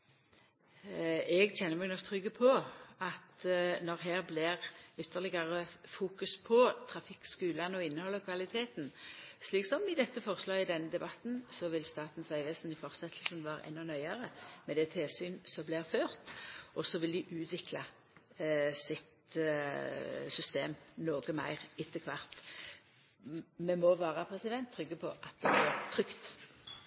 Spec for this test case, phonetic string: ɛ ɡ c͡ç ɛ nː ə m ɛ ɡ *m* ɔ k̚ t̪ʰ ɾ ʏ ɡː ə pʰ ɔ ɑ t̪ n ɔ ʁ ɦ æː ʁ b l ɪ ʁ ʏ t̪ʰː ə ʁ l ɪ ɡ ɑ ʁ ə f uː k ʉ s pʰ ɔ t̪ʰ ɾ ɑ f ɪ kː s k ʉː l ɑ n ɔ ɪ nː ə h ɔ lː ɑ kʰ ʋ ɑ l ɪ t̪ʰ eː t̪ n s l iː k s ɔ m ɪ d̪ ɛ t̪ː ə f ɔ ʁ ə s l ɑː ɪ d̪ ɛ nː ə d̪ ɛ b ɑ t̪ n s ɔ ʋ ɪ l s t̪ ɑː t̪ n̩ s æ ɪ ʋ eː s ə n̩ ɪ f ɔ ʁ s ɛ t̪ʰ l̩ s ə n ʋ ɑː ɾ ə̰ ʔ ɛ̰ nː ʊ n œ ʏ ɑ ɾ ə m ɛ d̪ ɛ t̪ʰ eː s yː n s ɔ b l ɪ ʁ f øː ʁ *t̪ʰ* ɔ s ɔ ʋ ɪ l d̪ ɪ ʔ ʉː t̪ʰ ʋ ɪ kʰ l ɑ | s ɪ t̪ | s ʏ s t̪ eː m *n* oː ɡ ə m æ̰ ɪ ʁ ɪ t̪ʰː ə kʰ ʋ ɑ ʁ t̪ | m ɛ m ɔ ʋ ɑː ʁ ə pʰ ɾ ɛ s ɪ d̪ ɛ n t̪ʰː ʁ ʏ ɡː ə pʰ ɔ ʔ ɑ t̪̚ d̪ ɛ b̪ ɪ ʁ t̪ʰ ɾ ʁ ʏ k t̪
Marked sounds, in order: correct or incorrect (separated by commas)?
incorrect, incorrect, correct